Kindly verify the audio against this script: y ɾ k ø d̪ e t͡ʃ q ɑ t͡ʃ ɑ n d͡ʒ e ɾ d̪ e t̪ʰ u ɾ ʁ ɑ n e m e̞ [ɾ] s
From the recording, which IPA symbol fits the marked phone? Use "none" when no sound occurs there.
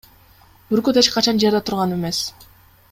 none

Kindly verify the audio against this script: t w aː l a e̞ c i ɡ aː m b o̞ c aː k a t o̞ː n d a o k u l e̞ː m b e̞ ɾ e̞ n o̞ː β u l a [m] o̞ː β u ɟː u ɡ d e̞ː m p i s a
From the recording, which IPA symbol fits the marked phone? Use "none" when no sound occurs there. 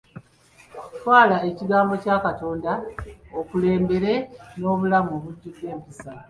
m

